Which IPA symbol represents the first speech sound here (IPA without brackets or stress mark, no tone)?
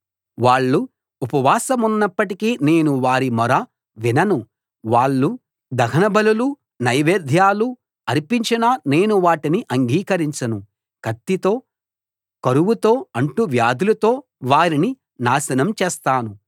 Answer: ʋ